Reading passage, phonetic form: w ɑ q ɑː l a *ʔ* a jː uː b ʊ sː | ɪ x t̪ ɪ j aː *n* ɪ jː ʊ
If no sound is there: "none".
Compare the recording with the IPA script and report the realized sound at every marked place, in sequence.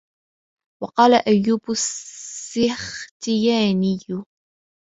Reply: ʔ, n

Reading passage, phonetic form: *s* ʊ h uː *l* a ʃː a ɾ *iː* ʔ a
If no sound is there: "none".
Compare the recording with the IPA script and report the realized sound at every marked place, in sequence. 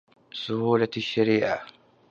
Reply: s, l, iː

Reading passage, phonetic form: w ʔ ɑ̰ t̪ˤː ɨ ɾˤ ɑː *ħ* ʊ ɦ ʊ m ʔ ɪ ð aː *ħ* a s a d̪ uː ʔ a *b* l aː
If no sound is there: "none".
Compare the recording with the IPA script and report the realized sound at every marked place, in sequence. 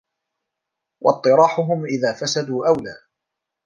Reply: ħ, f, w

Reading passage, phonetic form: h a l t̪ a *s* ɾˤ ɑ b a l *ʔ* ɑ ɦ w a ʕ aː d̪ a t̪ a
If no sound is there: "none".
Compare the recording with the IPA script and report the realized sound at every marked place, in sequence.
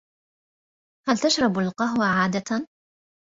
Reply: ʃ, q

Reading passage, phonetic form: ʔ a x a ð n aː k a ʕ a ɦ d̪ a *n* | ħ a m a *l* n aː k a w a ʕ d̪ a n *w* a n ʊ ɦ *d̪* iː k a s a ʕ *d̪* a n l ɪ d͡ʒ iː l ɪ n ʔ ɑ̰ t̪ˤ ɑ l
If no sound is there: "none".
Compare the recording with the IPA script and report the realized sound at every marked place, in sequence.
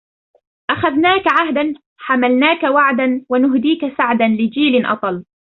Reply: n, l, w, d̪, d̪

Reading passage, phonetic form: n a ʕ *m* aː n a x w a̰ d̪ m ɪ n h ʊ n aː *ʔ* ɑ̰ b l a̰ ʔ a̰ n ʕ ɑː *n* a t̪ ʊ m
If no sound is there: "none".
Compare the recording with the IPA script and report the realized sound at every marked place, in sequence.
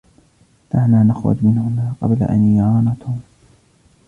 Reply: n, q, n

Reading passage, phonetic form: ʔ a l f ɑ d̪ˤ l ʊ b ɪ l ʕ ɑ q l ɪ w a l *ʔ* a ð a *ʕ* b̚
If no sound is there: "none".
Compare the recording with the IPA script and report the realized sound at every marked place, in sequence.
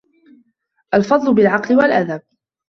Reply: ʔ, none

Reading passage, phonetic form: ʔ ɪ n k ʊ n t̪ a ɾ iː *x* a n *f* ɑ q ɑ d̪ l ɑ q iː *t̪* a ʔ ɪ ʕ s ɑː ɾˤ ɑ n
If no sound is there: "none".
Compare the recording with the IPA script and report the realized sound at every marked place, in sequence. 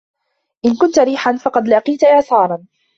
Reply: ħ, f, t̪

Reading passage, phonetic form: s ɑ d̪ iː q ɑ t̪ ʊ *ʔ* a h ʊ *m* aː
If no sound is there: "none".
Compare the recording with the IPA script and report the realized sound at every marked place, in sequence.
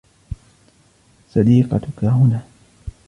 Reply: k, n

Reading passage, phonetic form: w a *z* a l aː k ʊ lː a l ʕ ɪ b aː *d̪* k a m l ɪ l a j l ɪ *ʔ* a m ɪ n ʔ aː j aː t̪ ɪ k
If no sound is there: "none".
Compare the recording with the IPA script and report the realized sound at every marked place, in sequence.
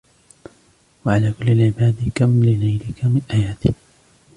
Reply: ʕ, d̪, k

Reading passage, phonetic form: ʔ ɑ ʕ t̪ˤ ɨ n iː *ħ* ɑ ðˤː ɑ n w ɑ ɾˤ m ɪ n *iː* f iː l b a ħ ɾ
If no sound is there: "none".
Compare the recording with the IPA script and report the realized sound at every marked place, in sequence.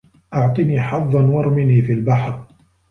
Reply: ħ, iː

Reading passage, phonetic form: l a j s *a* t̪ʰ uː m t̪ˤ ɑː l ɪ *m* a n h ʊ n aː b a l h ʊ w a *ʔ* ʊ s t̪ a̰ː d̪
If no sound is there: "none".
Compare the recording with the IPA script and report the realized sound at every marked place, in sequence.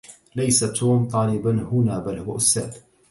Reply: a, b, ʔ

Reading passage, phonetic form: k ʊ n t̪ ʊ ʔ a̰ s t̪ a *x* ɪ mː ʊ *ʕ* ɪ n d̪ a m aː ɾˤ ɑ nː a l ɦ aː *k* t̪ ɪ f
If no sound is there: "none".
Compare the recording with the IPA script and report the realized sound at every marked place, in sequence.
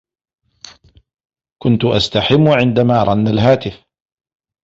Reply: ħ, ʕ, none

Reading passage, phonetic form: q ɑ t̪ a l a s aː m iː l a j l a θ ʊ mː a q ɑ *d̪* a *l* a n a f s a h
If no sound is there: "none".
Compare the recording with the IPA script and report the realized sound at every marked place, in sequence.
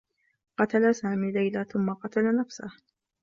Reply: t̪, l

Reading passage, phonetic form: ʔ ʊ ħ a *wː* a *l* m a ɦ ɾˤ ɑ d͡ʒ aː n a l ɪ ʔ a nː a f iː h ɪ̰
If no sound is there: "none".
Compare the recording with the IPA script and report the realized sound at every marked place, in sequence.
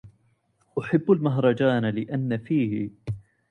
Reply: bː, l

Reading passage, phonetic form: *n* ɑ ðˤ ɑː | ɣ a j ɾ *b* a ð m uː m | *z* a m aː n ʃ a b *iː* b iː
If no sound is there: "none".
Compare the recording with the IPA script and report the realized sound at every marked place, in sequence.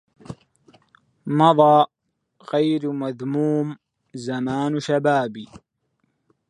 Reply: m, m, z, aː

